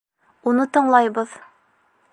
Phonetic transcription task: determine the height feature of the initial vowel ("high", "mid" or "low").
high